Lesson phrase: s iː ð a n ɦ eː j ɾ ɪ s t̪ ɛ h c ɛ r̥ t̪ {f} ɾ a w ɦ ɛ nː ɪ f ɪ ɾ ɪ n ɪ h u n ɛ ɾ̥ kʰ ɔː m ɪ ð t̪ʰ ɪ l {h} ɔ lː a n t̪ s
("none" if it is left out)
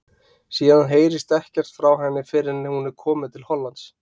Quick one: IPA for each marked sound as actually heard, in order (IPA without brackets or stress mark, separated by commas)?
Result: f, h